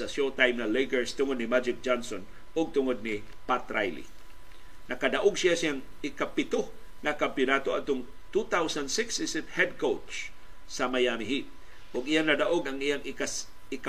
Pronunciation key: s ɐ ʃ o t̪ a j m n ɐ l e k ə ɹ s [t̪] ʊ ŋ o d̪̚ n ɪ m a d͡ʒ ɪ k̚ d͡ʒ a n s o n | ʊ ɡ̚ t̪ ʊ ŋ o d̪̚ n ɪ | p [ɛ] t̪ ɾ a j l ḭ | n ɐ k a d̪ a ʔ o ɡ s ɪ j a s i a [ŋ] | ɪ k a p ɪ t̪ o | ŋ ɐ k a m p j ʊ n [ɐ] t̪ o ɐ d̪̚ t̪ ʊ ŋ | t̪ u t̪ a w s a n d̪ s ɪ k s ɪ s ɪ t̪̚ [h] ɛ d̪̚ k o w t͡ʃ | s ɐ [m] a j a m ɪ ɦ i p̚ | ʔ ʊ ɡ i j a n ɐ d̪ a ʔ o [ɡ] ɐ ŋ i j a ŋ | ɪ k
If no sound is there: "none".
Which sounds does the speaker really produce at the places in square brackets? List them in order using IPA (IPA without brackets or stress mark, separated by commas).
t̪, a, ŋ, a, h, m, ɡ